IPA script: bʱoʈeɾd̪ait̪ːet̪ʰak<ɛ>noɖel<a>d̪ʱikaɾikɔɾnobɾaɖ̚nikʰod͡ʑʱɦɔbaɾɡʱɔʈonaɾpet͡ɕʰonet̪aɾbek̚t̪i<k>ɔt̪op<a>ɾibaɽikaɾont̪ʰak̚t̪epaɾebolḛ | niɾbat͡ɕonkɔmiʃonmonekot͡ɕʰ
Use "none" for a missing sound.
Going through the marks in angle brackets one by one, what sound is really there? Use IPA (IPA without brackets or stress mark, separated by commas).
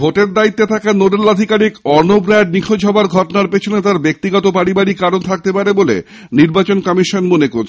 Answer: a, a, ɡ, a